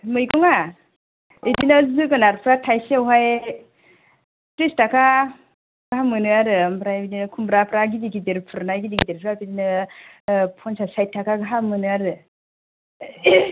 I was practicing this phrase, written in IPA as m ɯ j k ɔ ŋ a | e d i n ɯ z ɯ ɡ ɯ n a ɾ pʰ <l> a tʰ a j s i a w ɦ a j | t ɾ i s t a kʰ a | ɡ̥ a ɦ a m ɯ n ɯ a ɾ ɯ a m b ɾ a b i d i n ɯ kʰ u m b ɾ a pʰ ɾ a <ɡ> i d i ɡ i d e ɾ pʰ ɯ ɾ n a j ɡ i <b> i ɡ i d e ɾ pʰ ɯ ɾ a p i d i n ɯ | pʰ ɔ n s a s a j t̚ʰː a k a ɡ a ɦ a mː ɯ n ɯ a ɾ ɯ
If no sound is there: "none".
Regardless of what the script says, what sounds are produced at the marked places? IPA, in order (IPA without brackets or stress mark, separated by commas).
ɾ, ɡ, d